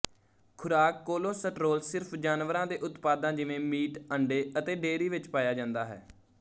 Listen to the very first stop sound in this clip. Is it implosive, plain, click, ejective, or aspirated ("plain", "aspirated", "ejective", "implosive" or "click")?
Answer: aspirated